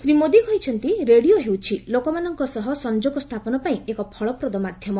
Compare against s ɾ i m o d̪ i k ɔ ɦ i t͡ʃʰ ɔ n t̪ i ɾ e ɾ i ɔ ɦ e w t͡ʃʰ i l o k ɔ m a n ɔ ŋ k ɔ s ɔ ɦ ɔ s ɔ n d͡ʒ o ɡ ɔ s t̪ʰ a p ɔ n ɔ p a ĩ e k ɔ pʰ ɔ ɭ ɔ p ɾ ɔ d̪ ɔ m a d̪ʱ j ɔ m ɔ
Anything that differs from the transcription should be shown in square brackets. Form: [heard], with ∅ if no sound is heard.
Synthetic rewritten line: s ɾ i m o d̪ i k ɔ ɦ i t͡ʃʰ ɔ n t̪ i ɾ e [ɽ] i [o] ɦ e w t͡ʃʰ i l o k ɔ m a n ɔ ŋ k ɔ s ɔ ɦ ɔ s ɔ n d͡ʒ o ɡ ɔ s t̪ʰ a p ɔ n ɔ p a ĩ e k ɔ pʰ ɔ ɭ ɔ p ɾ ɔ d̪ ɔ m a d̪ʱ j ɔ m ɔ